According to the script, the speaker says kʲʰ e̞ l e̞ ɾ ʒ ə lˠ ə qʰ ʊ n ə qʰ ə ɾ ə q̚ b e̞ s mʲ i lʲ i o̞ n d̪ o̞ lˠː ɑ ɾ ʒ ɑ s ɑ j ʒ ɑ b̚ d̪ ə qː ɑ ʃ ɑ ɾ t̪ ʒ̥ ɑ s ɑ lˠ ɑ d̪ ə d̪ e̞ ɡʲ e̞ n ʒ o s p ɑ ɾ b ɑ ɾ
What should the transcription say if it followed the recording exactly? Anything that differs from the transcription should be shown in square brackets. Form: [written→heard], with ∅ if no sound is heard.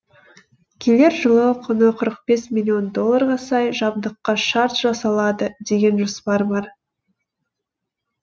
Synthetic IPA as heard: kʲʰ e̞ l e̞ ɾ ʒ ə lˠ ə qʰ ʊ n ə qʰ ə ɾ ə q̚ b e̞ s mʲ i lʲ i o̞ n d̪ o̞ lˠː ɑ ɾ [ʒ→ʁ] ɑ s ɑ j ʒ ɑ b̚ d̪ ə qː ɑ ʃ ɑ ɾ t̪ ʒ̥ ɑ s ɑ lˠ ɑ d̪ ə d̪ e̞ ɡʲ e̞ n ʒ o s p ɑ ɾ b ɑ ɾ